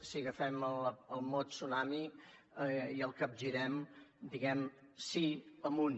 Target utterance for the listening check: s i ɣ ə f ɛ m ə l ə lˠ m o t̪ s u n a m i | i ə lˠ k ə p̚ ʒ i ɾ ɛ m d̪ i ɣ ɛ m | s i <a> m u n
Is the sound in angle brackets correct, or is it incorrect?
incorrect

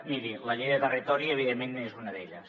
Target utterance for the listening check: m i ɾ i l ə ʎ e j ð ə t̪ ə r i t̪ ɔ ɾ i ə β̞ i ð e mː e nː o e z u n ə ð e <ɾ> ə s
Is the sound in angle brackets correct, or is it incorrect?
incorrect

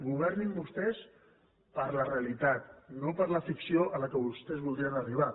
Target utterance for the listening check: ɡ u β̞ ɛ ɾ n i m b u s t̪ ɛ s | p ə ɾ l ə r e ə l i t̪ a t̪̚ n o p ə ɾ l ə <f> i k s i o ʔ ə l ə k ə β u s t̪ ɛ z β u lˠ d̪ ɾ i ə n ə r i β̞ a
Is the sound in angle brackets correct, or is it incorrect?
correct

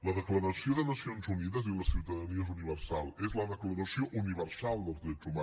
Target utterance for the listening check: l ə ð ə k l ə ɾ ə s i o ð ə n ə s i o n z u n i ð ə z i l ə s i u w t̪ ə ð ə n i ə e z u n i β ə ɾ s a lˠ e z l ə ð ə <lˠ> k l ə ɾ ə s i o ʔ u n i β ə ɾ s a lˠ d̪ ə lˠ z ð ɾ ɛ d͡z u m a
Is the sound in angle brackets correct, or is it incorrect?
incorrect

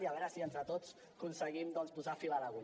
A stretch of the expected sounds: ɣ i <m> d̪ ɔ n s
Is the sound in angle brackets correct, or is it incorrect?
correct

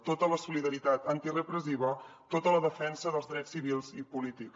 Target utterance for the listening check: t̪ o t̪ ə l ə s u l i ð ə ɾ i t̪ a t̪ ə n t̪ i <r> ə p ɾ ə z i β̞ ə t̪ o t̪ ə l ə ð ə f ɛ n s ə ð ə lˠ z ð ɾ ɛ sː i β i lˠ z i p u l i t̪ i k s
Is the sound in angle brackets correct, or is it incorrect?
correct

